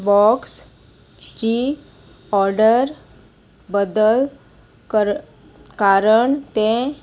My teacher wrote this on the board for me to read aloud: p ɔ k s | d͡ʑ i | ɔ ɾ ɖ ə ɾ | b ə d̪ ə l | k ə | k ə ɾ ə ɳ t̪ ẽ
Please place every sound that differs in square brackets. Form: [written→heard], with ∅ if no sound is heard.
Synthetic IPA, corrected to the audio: [p→b] ɔ k s | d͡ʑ i | ɔ ɾ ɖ ə ɾ | b ə d̪ ə l | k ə | k [ə→a] ɾ ə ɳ t̪ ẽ

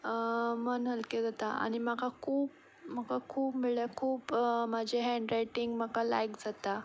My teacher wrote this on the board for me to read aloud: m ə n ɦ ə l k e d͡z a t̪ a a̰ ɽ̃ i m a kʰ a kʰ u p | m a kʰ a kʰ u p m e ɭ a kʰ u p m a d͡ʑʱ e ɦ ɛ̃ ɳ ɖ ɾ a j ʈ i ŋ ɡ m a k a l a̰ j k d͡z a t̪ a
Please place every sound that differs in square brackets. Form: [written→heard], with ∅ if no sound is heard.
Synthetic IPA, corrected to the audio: m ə n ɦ ə l k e d͡z a t̪ a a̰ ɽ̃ i m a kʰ a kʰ [u→uː] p | m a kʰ a kʰ [u→uː] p m [e→i] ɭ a kʰ [u→uː] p m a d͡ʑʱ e ɦ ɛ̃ ɳ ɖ ɾ a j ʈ i ŋ ɡ m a k a l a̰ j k d͡z a t̪ a

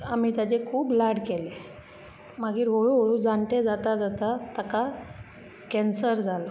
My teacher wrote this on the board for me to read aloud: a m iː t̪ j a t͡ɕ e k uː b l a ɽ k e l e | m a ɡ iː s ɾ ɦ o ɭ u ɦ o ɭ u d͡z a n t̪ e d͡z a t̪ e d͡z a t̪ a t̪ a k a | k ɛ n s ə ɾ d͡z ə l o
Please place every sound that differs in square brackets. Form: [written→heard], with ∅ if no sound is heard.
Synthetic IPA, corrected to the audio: a m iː t̪ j a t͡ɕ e [k→kʰ] uː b l a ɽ k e l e | m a ɡ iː [s→∅] ɾ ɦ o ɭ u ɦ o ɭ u d͡z a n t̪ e d͡z a t̪ [e→a] d͡z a t̪ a t̪ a k a | k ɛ n s ə ɾ d͡z [ə→a] l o

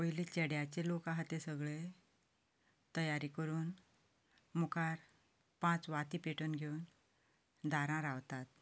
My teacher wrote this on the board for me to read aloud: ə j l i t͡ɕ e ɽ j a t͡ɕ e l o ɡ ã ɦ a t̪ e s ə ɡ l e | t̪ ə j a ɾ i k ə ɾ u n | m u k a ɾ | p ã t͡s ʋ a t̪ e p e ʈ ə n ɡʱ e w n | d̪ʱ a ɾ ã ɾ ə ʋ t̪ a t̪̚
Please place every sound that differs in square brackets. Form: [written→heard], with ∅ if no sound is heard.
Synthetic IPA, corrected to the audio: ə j l i t͡ɕ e ɽ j a t͡ɕ e l o [ɡ→k] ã ɦ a t̪ e s ə ɡ [l→ɭ] e | t̪ ə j a ɾ i k ə ɾ [u→uː] n | m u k a ɾ | p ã t͡s ʋ a t̪ [e→i] p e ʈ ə n ɡʱ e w n | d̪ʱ a ɾ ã ɾ [ə→a] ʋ t̪ a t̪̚

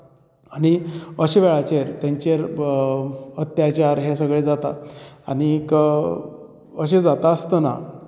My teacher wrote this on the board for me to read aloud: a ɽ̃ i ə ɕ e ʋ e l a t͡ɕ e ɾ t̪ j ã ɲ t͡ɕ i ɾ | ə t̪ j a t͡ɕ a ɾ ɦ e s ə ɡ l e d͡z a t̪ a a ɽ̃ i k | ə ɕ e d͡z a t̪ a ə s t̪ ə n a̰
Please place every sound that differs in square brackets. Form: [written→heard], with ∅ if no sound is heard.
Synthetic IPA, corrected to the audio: a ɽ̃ i ə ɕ e ʋ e [l→ɭ] a t͡ɕ e ɾ t̪ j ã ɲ t͡ɕ [i→e] ɾ | ə t̪ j a t͡ɕ a ɾ ɦ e s ə ɡ [l→ɭ] e d͡z a t̪ a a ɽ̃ i k | ə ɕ e d͡z a t̪ a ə s t̪ ə n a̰

